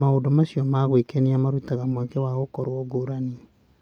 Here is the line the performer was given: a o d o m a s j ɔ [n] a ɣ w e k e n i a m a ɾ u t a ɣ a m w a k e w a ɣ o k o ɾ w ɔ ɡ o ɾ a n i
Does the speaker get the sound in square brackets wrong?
yes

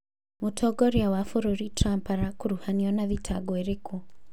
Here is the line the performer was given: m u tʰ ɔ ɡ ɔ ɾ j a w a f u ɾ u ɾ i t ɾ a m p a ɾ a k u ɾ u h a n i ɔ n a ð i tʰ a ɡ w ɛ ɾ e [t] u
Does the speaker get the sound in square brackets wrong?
yes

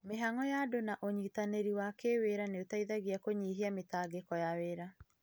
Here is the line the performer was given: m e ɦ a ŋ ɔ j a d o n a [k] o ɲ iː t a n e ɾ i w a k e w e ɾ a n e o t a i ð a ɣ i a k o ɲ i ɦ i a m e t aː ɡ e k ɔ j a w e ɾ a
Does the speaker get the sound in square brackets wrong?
yes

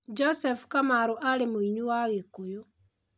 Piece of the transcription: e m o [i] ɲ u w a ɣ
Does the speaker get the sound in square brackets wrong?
no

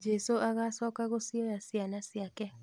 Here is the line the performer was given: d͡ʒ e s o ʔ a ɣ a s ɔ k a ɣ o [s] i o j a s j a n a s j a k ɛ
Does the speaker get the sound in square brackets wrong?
no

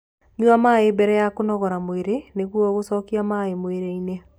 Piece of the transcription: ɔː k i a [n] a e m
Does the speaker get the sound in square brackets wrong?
yes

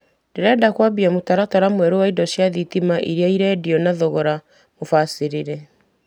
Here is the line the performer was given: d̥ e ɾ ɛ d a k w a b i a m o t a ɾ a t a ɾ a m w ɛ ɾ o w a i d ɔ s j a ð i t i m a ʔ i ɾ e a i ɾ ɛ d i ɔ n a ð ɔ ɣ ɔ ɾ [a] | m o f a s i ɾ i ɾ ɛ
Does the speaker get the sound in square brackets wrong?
no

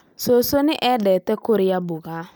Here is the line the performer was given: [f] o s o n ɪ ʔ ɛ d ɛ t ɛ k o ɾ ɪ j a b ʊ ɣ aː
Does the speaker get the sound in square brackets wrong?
yes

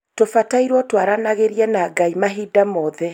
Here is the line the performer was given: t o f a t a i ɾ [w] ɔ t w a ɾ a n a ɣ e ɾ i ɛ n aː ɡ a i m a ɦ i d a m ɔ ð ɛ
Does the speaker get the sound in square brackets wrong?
no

